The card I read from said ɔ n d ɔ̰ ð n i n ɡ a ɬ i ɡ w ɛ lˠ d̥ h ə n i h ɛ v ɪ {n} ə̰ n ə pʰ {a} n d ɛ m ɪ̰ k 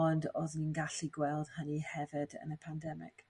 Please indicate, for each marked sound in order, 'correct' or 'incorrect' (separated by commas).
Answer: incorrect, correct